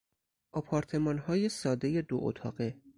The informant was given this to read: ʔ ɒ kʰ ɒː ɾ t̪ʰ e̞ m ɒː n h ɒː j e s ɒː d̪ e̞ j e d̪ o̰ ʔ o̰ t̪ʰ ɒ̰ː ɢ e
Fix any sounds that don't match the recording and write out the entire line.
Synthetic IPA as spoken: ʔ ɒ pʰ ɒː ɾ t̪ʰ e̞ m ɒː n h ɒː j e s ɒː d̪ e̞ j e d̪ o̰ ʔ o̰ t̪ʰ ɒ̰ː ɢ e

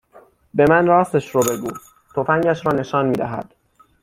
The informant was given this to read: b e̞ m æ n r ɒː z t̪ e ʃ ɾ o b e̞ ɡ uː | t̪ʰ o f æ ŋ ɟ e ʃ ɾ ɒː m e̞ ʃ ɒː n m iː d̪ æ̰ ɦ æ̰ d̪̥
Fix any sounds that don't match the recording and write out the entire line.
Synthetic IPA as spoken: b e̞ m æ n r ɒː s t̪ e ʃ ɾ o b e̞ ɡ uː | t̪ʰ o f æ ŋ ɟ æ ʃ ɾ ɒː n e̞ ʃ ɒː n m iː d̪ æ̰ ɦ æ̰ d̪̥

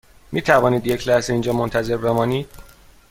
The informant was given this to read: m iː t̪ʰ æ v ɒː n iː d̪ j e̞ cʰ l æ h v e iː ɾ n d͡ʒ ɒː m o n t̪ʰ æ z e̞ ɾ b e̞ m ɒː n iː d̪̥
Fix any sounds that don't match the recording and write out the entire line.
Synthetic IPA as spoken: m iː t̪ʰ æ v ɒː n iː d̪ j e̞ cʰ l æ h z e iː n d͡ʒ ɒː m o n t̪ʰ æ z e̞ ɾ b e̞ m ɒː n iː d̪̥

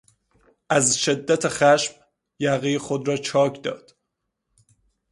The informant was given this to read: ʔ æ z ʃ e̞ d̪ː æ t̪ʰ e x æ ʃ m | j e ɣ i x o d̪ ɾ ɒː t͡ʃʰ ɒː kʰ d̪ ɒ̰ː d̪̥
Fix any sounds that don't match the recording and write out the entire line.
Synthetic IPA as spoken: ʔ æ z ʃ e̞ d̪ː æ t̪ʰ e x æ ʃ m | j æ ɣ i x o d̪ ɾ ɒː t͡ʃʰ ɒː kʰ d̪ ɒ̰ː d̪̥

